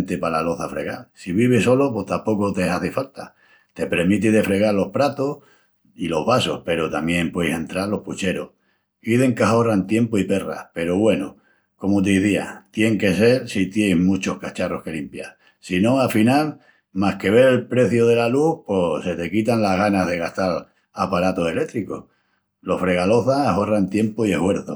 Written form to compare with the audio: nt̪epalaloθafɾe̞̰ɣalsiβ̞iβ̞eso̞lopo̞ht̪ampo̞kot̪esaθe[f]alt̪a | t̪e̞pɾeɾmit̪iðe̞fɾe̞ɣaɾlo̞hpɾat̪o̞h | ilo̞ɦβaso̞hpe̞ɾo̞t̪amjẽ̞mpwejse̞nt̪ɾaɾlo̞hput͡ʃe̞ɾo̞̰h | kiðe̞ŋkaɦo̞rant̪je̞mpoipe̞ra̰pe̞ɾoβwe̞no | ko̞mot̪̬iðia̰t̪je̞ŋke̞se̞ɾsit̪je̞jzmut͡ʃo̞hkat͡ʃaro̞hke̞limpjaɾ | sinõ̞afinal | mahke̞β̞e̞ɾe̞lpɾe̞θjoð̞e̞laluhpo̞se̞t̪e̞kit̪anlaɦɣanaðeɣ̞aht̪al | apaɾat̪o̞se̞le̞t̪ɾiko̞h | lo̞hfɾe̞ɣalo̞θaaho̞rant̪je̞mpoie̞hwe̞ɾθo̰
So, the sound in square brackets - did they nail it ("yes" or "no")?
yes